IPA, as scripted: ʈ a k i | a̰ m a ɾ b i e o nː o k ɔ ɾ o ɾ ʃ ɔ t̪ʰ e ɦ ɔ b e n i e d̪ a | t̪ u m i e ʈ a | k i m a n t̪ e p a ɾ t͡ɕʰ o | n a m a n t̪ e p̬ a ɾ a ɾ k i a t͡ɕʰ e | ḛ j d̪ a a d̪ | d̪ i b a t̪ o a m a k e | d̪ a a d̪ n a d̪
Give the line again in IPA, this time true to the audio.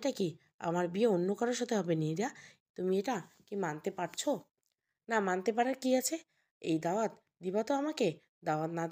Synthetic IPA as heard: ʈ a k i | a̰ m a ɾ b i e o nː o k ɔ ɾ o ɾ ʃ ɔ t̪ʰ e ɦ ɔ b e n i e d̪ a | t̪ u m i e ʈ a | k i m a n t̪ e p a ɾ t͡ɕʰ o | n a m a n t̪ e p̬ a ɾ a ɾ k i a t͡ɕʰ e | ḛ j d̪ a a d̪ | d̪ i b a t̪ o a m a k e | d̪ a a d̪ n a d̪